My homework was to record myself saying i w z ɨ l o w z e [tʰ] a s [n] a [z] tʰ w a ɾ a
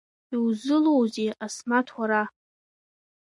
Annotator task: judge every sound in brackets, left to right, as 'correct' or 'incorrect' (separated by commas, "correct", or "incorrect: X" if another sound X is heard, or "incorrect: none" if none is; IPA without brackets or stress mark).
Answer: incorrect: none, incorrect: m, incorrect: none